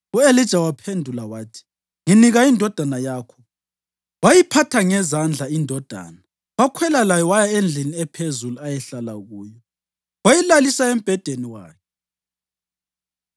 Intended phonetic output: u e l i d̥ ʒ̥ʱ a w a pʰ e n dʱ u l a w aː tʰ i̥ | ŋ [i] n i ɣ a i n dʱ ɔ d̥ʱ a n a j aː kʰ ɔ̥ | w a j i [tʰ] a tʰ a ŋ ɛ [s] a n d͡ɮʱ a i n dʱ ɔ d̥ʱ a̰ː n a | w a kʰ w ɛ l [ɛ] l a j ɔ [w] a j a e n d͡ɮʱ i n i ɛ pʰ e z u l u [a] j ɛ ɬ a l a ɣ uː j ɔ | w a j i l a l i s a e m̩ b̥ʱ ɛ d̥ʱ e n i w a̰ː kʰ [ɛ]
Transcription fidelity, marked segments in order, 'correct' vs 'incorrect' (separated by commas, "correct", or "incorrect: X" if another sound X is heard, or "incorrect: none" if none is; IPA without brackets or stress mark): correct, incorrect: pʰ, incorrect: z, incorrect: a, correct, correct, correct